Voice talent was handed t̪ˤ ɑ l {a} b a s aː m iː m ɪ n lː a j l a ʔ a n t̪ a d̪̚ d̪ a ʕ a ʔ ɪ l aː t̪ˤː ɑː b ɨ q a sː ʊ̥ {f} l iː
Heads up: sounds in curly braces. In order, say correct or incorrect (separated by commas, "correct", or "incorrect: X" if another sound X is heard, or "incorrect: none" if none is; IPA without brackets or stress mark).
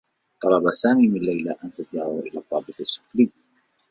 incorrect: ɑ, correct